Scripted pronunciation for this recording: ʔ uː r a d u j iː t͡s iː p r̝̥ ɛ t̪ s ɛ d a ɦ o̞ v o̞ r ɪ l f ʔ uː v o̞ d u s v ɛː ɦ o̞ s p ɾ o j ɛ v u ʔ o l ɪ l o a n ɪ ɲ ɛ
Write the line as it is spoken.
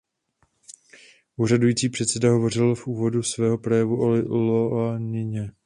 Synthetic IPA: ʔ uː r a d u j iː t͡s iː p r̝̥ ɛ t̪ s ɛ d a ɦ o̞ v o̞ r ɪ l f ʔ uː v o̞ d u s v ɛː ɦ o̞ p ɾ o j ɛ v u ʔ o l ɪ l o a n ɪ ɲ ɛ